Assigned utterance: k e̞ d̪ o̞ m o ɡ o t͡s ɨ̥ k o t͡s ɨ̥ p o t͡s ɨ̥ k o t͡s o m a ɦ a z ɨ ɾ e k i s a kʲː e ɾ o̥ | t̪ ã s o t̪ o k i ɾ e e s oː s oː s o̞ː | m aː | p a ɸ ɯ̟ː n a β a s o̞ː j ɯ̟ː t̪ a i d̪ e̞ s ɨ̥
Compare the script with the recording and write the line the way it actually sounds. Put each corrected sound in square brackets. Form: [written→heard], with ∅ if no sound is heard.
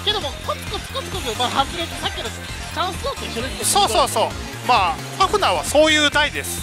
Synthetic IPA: k e̞ d̪ o̞ m o [ɡ→k] o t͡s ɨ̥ k o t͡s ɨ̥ [p→k] o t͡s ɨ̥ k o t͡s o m a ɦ a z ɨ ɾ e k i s a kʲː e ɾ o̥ | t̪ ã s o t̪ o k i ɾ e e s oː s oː s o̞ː | m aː | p a ɸ [ɯ̟ː→ɯ̟] n a β a s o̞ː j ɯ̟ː [t̪→d̪] a i d̪ e̞ s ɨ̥